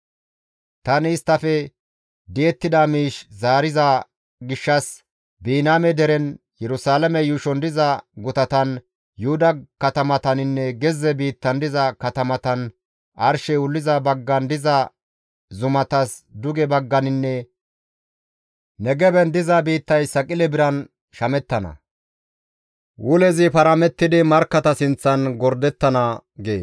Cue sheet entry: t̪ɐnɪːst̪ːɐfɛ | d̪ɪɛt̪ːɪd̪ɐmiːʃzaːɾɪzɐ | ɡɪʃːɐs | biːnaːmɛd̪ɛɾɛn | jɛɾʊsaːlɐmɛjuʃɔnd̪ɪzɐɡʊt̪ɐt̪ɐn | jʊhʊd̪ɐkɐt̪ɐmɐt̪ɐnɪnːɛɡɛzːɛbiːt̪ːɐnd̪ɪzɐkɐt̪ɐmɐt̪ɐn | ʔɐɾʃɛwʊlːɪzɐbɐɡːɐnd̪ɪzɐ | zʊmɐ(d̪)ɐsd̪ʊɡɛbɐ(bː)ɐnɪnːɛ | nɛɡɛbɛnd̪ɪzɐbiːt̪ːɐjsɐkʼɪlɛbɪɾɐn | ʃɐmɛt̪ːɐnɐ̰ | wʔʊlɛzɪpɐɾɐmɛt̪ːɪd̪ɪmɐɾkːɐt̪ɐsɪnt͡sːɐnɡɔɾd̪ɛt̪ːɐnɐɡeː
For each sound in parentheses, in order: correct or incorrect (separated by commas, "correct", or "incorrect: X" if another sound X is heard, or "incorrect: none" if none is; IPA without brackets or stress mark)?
incorrect: t̪, incorrect: ɡː